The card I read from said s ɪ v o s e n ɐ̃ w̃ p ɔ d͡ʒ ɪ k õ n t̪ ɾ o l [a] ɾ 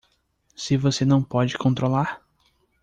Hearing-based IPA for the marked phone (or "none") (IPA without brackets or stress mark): a